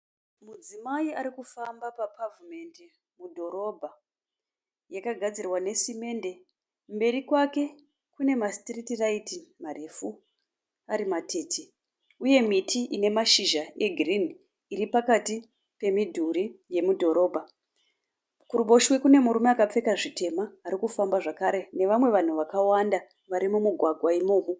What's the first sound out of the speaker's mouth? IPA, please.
m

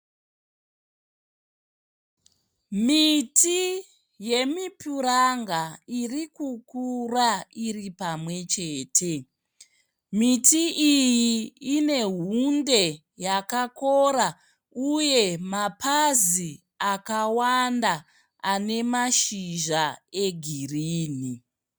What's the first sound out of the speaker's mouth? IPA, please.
m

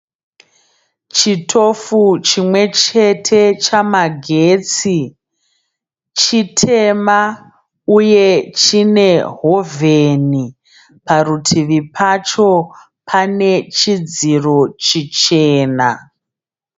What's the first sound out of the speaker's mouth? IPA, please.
t͡ʃ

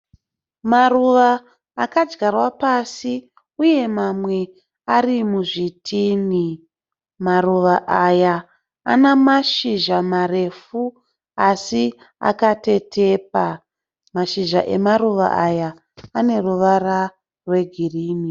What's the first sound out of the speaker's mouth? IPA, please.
m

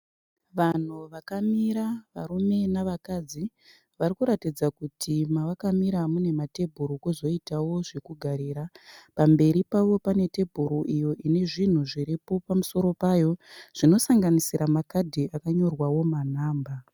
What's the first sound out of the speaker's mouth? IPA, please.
ʋ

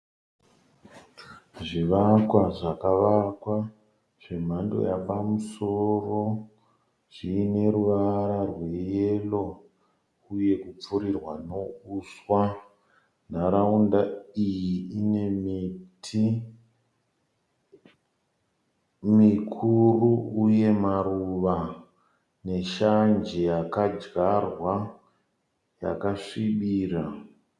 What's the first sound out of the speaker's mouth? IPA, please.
ʐ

